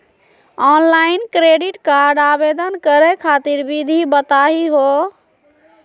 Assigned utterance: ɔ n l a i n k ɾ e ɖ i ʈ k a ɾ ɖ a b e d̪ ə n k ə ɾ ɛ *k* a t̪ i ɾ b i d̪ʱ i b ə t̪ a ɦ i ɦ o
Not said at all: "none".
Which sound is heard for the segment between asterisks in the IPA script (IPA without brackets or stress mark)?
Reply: kʰ